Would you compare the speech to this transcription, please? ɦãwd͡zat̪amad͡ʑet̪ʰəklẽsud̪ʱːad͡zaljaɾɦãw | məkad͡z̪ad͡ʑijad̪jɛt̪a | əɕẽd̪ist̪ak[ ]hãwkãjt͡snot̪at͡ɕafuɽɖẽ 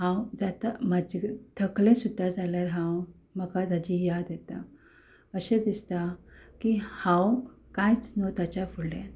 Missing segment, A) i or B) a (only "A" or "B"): A